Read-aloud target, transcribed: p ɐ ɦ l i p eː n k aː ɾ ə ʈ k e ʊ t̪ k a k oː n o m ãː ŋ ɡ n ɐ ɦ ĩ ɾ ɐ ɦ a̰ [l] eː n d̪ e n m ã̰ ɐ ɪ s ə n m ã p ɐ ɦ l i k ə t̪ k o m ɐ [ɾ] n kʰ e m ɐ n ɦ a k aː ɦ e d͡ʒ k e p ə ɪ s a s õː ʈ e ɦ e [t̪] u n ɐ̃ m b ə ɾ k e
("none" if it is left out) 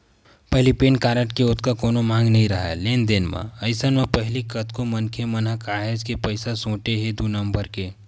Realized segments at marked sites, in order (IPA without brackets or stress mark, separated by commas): l, none, d̪